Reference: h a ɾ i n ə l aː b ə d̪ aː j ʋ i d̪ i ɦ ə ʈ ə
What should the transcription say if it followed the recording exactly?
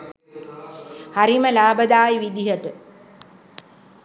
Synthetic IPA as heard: h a ɾ i m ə l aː b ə d̪ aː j ʋ i d̪ i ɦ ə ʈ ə